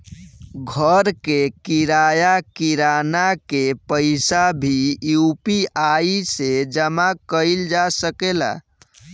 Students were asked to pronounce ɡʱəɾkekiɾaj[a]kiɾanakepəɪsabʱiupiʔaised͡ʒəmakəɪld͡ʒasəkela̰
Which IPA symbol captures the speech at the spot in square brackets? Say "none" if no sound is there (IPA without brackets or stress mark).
a